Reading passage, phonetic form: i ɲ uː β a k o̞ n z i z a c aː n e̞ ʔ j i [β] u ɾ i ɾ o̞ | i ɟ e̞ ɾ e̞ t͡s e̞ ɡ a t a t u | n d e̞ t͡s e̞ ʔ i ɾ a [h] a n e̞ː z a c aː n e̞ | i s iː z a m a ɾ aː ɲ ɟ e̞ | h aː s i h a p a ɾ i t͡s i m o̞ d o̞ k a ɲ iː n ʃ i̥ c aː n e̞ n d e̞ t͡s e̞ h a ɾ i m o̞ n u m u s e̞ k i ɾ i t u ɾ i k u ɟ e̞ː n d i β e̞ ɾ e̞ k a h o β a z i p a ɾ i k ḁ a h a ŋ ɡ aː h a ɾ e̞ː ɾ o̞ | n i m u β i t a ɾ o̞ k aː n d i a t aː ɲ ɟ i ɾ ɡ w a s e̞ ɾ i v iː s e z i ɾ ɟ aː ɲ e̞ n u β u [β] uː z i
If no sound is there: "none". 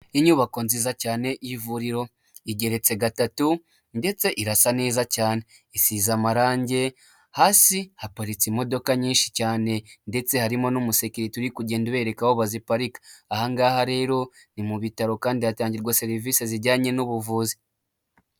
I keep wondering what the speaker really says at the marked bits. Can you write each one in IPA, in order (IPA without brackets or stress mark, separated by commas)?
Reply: v, s, v